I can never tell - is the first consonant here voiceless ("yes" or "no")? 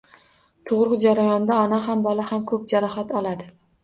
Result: yes